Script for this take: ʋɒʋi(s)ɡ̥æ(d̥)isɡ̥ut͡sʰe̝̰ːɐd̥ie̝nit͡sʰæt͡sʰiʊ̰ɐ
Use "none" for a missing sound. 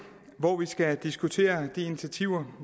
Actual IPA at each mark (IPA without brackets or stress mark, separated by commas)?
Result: s, d̥